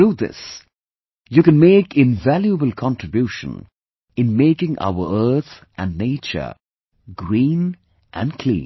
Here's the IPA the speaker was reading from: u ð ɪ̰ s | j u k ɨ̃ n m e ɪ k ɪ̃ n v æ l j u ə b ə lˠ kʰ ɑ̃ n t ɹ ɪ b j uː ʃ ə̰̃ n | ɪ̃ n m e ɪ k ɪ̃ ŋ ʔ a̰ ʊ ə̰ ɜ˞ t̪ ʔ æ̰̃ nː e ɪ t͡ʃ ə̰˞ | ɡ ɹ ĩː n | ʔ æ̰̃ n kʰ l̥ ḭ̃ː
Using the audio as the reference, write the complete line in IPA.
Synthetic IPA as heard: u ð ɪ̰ s | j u k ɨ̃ n m e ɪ k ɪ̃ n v æ l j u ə b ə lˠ kʰ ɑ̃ n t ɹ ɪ b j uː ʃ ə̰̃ n | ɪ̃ n m e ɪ k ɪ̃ ŋ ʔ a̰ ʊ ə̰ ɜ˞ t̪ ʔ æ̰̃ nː e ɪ t͡ʃ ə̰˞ | ɡ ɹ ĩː n | ʔ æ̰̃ n kʰ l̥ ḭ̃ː